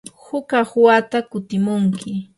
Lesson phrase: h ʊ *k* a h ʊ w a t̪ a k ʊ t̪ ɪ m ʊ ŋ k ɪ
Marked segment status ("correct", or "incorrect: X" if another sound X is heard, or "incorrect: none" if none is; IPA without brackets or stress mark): correct